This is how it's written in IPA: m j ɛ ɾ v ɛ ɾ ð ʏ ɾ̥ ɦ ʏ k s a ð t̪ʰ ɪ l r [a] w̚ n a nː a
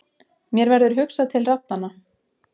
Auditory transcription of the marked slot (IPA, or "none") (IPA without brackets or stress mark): a